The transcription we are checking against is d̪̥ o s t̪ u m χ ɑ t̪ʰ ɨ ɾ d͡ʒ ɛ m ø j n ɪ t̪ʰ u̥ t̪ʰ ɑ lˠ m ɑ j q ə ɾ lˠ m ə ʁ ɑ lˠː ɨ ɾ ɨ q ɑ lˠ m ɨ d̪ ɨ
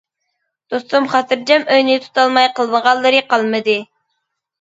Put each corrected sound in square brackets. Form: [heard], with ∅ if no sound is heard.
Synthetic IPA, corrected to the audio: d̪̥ o s t̪ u m χ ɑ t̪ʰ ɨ ɾ d͡ʒ ɛ m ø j n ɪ t̪ʰ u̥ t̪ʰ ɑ lˠ m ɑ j q ə [∅] lˠ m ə ʁ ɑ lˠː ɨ ɾ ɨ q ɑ lˠ m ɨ d̪ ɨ